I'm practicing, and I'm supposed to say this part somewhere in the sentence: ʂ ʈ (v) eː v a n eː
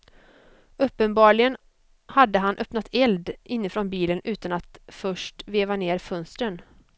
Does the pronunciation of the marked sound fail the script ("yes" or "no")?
no